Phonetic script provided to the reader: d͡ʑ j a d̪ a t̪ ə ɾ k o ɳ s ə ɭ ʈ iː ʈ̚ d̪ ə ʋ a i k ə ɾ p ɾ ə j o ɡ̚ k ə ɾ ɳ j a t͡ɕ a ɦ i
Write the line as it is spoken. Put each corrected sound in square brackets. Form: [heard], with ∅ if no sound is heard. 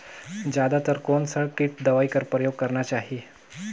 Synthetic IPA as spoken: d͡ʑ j a d̪ a t̪ ə ɾ k o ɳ s ə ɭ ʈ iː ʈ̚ d̪ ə ʋ a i k ə ɾ p ɾ ə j o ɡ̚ k ə ɾ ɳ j a t͡ɕ a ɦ i